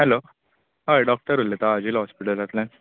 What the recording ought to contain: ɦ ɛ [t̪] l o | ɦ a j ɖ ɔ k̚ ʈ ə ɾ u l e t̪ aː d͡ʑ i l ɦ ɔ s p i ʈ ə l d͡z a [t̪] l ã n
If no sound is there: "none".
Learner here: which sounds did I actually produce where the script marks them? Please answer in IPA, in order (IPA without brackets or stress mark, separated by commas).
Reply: none, t̪